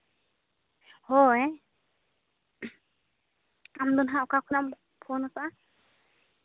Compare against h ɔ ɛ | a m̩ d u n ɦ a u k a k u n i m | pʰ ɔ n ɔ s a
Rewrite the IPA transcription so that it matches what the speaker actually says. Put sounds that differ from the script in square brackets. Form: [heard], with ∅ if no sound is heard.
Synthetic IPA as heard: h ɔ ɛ | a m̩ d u n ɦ a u k a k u n [a] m | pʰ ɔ n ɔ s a